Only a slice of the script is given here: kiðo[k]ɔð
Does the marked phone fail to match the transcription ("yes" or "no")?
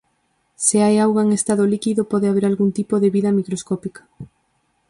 yes